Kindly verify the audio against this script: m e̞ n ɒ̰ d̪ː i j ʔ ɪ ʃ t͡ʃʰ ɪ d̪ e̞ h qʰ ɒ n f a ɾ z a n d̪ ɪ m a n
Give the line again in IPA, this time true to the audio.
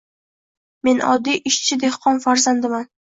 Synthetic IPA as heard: m e̞ n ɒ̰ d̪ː i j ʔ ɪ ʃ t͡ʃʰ ɪ d̪ e̞ h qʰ ɒ n f a ɾ z a n d̪ ɪ m a n